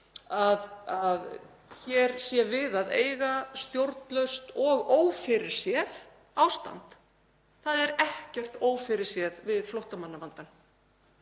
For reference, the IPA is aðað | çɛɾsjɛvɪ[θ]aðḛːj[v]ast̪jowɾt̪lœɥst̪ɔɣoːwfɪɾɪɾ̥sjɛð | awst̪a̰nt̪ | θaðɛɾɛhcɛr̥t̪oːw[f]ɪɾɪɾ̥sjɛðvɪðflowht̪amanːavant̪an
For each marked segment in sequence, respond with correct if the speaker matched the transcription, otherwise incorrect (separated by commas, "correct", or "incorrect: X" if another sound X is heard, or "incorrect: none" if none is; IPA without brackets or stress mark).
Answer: incorrect: ð, incorrect: ɣ, correct